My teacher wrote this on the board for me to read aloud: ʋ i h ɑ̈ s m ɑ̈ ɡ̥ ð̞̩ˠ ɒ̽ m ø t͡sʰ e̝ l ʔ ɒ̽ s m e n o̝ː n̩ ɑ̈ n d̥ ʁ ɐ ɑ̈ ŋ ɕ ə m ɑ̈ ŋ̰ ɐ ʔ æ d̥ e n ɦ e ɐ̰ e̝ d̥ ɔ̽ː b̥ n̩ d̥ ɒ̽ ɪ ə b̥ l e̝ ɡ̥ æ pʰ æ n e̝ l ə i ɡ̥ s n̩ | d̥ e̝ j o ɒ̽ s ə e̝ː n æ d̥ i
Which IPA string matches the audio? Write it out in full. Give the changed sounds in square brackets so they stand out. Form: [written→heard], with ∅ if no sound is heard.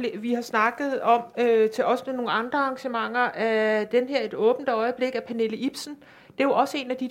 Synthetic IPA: ʋ i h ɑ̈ s [m→n] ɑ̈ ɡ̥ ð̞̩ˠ ɒ̽ m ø t͡sʰ e̝ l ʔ ɒ̽ s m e n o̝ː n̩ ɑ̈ n d̥ ʁ ɐ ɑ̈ ŋ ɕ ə m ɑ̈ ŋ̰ ɐ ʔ æ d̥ e n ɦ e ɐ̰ e̝ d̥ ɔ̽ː b̥ n̩ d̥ ɒ̽ ɪ ə b̥ l e̝ ɡ̥ æ pʰ æ n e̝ l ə i [ɡ̥→b̥] s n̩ | d̥ e̝ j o ɒ̽ s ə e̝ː n æ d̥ i